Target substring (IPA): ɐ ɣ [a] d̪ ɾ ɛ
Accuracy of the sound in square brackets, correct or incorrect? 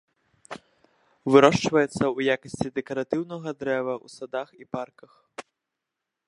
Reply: incorrect